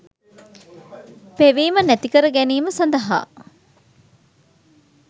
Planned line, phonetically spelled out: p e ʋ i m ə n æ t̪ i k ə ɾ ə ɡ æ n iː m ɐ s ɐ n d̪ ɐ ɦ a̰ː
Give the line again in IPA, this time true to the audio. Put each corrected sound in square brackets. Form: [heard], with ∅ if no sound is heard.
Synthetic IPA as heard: p e ʋ [iː] m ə n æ t̪ i k ə ɾ ə ɡ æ n iː m [ə] s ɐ n d̪ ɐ ɦ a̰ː